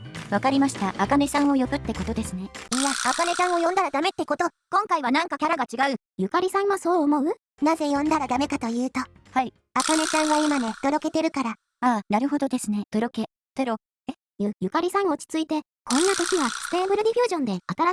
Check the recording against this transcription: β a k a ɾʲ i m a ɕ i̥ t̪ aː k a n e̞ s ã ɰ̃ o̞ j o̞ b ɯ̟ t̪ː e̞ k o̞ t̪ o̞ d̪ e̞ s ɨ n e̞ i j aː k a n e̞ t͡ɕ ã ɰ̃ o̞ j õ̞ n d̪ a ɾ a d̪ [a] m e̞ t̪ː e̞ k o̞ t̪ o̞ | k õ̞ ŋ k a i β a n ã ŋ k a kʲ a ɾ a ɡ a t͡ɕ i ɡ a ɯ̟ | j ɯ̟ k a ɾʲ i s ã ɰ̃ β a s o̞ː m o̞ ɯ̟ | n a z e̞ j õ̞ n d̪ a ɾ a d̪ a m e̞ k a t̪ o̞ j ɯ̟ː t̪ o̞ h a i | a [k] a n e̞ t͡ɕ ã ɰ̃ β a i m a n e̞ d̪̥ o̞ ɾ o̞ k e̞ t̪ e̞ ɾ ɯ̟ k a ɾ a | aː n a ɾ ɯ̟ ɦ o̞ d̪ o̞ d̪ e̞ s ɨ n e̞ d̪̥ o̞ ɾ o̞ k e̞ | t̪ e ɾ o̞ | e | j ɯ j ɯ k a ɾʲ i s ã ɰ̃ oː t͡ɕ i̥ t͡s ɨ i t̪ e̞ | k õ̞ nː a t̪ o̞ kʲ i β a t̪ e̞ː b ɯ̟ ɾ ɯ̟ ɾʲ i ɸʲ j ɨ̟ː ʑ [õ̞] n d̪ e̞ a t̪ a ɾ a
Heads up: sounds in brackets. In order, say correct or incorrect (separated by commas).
correct, correct, correct